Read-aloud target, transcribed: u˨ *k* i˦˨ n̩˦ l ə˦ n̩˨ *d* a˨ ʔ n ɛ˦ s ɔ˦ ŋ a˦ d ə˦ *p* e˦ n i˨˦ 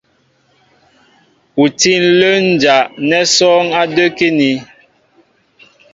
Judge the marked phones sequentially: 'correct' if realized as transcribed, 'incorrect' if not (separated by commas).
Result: incorrect, incorrect, incorrect